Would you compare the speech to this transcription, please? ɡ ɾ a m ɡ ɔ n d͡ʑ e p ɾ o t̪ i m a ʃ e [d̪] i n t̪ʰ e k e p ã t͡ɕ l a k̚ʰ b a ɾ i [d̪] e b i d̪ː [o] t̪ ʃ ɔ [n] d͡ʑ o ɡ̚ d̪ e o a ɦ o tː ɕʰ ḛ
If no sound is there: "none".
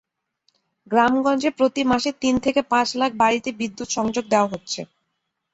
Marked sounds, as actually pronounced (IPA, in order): t̪, t̪, u, ŋ

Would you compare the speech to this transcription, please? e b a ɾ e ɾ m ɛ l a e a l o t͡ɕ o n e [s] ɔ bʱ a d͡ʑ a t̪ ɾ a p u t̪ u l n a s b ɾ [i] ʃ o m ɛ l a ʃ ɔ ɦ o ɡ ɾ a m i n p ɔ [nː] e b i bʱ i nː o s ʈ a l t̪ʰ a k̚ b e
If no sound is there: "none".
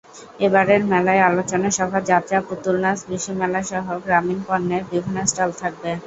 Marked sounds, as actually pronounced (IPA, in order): ʃ, i, nː

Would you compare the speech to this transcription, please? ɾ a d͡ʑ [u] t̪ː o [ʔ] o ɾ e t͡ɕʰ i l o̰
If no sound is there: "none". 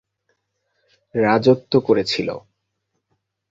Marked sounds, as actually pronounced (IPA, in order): o, k

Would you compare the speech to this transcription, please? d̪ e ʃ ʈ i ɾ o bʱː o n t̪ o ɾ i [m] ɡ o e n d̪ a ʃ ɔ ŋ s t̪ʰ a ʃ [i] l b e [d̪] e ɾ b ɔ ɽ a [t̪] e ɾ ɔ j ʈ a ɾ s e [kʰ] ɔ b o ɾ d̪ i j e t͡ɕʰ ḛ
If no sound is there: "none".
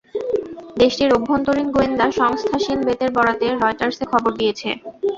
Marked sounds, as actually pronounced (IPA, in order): n, i, t̪, t̪, kʰ

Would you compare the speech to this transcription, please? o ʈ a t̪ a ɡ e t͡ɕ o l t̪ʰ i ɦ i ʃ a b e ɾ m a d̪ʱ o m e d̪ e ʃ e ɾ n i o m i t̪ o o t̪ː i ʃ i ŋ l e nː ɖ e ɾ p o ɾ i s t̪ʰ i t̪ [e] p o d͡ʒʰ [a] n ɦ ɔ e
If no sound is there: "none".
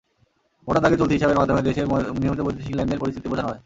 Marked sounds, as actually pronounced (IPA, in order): i, a

